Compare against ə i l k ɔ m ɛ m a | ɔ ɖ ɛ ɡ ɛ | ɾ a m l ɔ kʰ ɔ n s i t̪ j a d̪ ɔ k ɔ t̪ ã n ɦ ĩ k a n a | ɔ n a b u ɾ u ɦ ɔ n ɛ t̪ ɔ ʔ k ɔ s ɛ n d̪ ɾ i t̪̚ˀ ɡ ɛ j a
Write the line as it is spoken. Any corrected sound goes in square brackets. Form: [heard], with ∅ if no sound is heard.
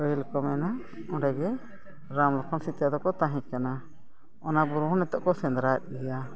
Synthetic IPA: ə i l k ɔ m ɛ [n] a | ɔ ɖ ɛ ɡ ɛ | ɾ a m l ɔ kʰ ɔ n s i t̪ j a d̪ ɔ k ɔ t̪ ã [∅] ɦ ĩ k a n a | ɔ n a b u ɾ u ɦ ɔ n ɛ t̪ ɔ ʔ k ɔ s ɛ n d̪ ɾ [a] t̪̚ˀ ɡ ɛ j a